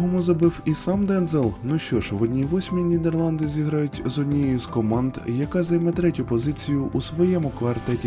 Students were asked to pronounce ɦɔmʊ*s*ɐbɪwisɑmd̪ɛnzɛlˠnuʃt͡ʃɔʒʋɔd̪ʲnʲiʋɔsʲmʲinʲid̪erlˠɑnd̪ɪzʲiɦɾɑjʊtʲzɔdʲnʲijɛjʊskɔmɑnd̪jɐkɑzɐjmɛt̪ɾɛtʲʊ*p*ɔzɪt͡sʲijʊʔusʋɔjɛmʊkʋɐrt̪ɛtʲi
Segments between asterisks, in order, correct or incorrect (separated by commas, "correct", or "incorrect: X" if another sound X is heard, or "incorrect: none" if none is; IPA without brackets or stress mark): incorrect: z, correct